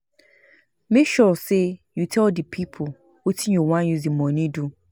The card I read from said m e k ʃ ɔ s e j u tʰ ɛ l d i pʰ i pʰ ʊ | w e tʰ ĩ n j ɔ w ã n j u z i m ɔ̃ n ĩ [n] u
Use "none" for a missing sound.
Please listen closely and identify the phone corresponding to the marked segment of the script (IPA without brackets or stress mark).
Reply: d